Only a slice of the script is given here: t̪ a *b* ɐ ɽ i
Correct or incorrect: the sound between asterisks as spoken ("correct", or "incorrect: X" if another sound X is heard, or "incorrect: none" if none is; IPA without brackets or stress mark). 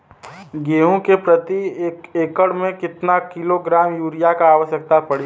incorrect: p